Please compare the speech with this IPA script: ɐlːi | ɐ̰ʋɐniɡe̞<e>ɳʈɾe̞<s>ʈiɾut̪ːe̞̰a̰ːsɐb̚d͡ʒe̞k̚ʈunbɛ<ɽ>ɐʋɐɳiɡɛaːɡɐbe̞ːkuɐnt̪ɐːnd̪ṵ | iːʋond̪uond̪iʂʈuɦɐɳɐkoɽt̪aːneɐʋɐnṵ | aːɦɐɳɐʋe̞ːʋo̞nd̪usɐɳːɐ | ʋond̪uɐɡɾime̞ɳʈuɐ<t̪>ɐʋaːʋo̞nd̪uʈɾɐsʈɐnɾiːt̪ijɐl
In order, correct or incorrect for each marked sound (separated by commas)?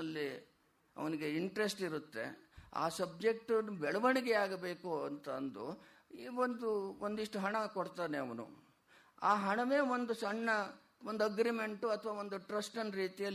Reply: incorrect, correct, incorrect, incorrect